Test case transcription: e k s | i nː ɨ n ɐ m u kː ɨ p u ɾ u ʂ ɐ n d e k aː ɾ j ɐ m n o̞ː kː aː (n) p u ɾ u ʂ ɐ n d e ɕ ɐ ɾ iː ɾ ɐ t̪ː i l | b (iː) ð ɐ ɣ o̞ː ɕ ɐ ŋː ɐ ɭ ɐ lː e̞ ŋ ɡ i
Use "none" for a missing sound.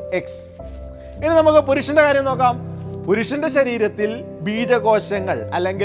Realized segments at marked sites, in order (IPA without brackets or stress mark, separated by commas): m, iː